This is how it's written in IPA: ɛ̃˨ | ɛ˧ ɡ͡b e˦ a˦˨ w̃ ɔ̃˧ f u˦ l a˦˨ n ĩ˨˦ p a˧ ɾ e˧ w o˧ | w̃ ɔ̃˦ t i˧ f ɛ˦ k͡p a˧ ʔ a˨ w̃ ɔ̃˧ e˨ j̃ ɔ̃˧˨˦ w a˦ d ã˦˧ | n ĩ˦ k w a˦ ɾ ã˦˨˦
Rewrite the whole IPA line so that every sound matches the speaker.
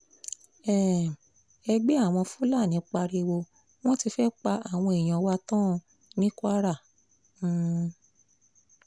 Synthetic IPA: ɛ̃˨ | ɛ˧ ɡ͡b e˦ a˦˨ w̃ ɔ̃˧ f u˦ l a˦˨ n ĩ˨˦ k͡p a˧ ɾ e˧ w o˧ | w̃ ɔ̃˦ t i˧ f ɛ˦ k͡p a˧ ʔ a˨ w̃ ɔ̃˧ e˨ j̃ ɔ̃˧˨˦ w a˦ t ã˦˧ | n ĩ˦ k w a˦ ɾ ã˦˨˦